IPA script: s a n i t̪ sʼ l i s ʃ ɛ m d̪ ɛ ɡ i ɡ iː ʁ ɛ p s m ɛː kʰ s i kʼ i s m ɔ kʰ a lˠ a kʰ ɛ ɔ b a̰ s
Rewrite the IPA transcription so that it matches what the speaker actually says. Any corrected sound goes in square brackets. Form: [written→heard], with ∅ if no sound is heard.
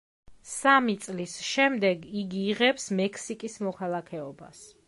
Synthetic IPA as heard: s a [n→m] i t̪ sʼ l i s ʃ ɛ m d̪ ɛ ɡ i ɡ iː ʁ ɛ p s m [ɛː→ɛ] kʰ s i kʼ i s m ɔ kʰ a lˠ a kʰ ɛ ɔ b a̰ s